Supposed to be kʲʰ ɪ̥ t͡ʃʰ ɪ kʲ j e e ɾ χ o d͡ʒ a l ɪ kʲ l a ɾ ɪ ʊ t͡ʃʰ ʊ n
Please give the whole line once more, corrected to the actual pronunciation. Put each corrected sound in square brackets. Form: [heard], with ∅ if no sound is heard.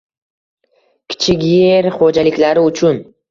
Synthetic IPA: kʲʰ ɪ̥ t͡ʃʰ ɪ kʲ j e e ɾ χ o d͡ʒ a l ɪ kʲ l a ɾ ɪ ʊ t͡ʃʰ ʊ n